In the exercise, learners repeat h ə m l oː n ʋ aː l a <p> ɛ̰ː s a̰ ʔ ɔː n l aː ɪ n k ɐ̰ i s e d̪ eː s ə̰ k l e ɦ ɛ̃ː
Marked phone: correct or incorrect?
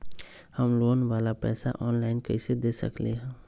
correct